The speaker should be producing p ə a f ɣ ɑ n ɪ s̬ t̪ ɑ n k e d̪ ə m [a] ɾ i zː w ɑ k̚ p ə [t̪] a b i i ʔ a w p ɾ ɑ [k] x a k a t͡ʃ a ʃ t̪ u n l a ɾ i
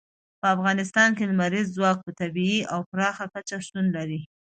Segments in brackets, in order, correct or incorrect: correct, correct, incorrect

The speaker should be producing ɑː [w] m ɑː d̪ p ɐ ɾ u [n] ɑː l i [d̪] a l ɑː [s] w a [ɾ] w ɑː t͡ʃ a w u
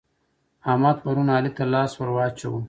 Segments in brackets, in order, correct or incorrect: incorrect, correct, incorrect, correct, correct

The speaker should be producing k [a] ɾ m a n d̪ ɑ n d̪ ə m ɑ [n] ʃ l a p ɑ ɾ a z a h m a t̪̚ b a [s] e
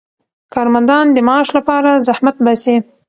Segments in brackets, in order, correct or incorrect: incorrect, incorrect, correct

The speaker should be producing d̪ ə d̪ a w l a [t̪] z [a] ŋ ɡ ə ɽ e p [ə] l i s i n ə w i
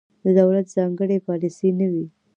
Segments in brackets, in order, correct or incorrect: correct, incorrect, incorrect

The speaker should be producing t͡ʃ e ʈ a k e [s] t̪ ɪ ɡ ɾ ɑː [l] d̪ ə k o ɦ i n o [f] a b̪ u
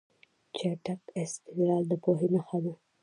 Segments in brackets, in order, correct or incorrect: correct, correct, incorrect

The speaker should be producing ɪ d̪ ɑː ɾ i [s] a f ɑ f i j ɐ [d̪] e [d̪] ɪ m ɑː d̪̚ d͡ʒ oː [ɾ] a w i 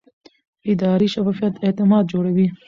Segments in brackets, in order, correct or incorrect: incorrect, incorrect, incorrect, incorrect

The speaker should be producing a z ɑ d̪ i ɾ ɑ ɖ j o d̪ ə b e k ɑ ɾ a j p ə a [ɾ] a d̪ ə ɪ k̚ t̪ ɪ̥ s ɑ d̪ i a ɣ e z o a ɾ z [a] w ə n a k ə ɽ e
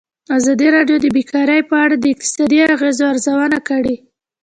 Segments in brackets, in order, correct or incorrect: incorrect, correct

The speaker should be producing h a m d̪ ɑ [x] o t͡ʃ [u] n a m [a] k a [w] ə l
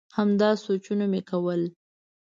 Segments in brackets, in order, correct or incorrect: incorrect, correct, incorrect, correct

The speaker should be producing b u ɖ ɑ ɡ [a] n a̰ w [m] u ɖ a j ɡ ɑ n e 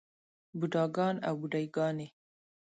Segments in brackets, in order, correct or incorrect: incorrect, incorrect

